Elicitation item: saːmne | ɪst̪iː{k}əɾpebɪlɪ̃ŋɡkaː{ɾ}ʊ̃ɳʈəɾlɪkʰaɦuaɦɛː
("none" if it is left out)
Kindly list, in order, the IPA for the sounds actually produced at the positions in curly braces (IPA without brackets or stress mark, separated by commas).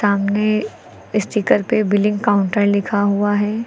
k, none